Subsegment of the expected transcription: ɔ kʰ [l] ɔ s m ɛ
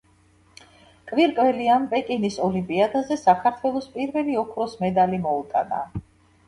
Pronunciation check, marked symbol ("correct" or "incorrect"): incorrect